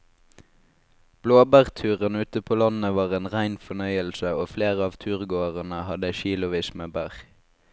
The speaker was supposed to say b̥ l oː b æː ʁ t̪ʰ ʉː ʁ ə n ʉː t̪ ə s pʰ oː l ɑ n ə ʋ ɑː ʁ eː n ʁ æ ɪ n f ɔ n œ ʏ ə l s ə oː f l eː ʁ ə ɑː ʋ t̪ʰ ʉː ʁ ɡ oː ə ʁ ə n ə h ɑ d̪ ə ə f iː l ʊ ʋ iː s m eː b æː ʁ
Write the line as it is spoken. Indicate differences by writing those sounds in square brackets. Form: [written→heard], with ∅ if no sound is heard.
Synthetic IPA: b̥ l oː b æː ʁ t̪ʰ ʉː ʁ ə n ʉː t̪ ə [s→∅] pʰ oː l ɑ n ə ʋ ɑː ʁ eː n ʁ æ ɪ n f ɔ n œ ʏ ə l s ə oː f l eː ʁ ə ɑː ʋ t̪ʰ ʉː ʁ ɡ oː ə ʁ ə n ə h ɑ d̪ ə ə [f→ʃ] iː l ʊ ʋ iː s m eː b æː ʁ